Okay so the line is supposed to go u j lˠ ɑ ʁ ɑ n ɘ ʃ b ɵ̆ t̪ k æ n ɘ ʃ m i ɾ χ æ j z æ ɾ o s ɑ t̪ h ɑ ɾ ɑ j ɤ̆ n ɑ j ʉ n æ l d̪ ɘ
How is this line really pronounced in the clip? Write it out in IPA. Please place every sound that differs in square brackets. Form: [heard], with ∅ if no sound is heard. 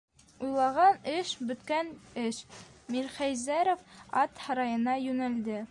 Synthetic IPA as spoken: u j lˠ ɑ ʁ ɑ n ɘ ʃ b ɵ̆ t̪ k æ n ɘ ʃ m i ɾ χ æ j z æ ɾ o [f] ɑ t̪ h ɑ ɾ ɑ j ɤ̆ n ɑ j ʉ n æ l d̪ ɘ